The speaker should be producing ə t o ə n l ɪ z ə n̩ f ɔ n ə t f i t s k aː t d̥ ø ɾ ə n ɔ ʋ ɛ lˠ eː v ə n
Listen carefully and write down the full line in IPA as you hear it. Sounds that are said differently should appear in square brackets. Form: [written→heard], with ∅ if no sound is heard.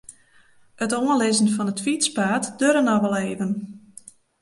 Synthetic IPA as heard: ə t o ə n l ɪ z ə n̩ f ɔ n ə t f i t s [k→p] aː t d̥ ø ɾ ə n ɔ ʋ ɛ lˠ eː v ə n